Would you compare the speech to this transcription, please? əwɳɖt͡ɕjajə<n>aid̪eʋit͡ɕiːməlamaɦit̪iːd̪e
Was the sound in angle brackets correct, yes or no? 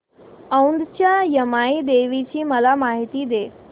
no